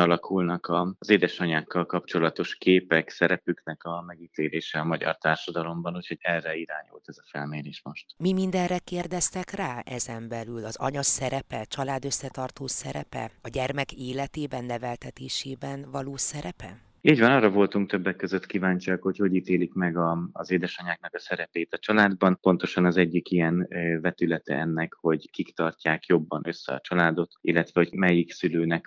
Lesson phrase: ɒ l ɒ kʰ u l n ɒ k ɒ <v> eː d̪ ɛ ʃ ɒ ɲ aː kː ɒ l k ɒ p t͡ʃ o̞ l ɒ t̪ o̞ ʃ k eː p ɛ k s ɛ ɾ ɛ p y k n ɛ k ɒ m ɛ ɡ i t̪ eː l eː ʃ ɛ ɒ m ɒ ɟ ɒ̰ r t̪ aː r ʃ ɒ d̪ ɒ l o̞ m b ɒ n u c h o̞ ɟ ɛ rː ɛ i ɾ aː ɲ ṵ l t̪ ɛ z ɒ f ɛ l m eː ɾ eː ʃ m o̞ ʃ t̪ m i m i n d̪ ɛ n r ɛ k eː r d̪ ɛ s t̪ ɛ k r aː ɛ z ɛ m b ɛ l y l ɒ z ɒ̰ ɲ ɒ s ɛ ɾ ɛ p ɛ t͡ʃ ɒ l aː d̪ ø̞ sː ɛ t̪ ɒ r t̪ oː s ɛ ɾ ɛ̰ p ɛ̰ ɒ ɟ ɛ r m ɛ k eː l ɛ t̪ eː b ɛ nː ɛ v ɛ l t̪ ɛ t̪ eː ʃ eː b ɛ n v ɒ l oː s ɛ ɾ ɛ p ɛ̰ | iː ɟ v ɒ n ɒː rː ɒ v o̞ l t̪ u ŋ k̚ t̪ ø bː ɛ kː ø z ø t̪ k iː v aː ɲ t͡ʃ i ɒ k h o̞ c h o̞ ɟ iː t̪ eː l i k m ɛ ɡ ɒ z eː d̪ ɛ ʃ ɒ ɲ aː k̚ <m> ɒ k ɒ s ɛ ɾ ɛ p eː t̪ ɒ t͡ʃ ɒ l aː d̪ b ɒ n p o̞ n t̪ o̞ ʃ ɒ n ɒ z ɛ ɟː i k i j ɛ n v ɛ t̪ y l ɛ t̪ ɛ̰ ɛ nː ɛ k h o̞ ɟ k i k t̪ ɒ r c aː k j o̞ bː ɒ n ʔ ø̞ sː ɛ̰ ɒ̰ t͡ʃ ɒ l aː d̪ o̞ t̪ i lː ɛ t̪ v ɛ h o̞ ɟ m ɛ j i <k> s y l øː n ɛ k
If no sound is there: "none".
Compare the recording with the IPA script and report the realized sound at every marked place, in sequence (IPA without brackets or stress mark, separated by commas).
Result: z, n, k